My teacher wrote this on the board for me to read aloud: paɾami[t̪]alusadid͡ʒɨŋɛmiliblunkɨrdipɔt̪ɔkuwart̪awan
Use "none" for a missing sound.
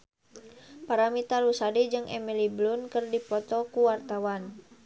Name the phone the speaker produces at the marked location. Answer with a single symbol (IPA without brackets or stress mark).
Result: t̪